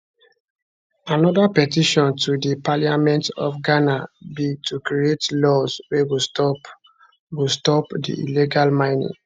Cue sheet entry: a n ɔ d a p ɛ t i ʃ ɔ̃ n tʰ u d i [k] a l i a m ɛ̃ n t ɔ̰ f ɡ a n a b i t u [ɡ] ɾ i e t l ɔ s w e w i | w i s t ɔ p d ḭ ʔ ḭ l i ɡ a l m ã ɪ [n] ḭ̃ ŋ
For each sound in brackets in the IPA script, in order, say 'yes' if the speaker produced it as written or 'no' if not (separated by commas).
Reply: no, no, yes